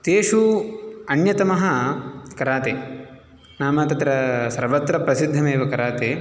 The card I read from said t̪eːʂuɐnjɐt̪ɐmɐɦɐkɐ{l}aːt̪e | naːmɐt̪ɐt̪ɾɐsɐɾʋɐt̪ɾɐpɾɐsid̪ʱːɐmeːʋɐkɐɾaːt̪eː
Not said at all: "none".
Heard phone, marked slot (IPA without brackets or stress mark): ɾ